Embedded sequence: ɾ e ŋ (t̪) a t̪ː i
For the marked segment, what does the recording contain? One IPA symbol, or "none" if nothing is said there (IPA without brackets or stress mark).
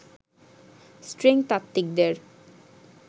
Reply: t̪